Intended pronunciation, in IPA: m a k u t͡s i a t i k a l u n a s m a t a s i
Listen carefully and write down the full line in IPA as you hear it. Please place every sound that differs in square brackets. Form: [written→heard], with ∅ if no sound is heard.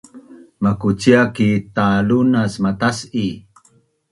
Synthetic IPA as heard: m a k u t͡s i a [t→k] i [k→t] a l u n a s m a t a s i